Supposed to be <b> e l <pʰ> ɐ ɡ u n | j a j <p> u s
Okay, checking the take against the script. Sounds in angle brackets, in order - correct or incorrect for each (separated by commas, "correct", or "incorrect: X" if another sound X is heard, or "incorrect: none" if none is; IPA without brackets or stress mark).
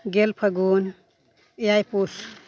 incorrect: ɡ, correct, correct